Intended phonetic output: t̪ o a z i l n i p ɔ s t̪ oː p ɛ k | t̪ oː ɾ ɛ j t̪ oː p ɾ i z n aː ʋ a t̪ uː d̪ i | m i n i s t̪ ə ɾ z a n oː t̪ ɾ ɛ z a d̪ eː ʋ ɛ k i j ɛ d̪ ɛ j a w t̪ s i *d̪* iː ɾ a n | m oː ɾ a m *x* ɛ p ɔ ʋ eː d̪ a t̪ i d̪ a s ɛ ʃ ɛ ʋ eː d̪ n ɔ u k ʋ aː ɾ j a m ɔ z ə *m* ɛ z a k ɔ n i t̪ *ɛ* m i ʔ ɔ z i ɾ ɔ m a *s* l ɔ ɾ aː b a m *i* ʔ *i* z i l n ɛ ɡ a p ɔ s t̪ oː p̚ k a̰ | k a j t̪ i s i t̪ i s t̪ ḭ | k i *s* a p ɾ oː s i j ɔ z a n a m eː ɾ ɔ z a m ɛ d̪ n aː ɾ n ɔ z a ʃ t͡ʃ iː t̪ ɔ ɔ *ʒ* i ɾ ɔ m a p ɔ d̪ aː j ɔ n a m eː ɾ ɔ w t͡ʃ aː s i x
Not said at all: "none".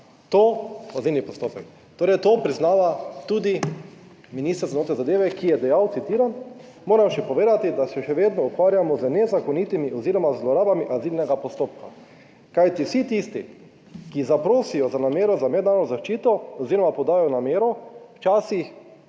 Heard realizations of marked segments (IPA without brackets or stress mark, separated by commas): t̪, ʃ, n, i, z, i, a, z, z